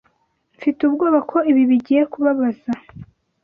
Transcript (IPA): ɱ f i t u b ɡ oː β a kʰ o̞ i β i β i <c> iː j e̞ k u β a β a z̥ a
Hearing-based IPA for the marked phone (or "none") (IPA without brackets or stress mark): ɟ